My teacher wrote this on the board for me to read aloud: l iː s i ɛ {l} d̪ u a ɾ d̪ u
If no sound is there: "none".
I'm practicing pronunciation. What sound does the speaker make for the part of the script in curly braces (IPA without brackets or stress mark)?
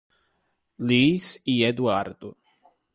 none